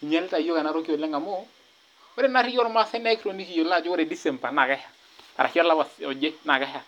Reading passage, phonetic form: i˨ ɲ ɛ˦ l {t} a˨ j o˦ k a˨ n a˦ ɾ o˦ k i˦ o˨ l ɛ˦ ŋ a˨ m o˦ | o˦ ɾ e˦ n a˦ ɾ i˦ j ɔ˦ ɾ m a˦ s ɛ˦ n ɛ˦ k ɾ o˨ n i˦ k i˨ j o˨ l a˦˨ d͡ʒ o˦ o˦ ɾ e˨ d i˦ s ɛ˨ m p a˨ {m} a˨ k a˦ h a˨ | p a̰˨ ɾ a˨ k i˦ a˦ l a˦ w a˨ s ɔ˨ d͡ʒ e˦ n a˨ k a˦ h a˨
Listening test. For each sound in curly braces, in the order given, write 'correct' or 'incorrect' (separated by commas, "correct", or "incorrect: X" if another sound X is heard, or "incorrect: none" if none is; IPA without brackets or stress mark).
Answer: correct, incorrect: n